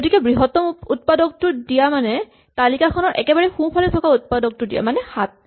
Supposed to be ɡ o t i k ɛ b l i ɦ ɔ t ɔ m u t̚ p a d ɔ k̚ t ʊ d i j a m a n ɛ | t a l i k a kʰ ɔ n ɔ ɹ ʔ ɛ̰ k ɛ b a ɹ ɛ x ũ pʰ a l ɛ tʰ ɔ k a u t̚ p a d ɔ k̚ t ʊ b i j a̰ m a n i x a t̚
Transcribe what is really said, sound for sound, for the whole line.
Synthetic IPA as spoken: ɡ o t i k ɛ b ɹ i ɦ ɔ t ɔ m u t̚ p a d ɔ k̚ t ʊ d i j a m a n ɛ | t a l i k a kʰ ɔ n ɔ ɹ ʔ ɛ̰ k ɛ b a ɹ ɛ x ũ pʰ a l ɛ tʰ ɔ k a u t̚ p a d ɔ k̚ t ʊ d i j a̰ m a n ɛ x a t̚

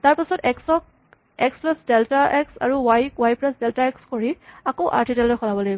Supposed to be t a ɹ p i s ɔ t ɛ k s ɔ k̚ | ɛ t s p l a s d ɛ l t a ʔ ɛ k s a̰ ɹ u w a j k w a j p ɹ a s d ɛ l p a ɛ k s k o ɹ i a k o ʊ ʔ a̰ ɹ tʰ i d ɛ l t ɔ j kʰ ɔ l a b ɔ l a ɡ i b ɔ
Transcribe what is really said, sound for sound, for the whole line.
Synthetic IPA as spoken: t a ɹ p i s ɔ t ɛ k s ɔ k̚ | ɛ k s p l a s d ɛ l t a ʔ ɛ k s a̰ ɹ u w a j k w a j p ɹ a s d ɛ l t a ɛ k s k o ɹ i a k o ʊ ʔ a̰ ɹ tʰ i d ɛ l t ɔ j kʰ ɔ l a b ɔ l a ɡ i b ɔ

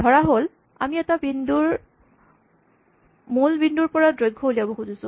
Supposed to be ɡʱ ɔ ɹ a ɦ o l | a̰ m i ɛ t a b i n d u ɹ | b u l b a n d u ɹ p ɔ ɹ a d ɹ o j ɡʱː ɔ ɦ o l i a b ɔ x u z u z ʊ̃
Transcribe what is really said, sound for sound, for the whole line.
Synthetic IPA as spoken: dʱ ɔ ɹ a ɦ o l | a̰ m i ɛ t a b i n d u ɹ | m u l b i n d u ɹ p ɔ ɹ a d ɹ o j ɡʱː ɔ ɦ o l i a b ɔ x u z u s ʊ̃

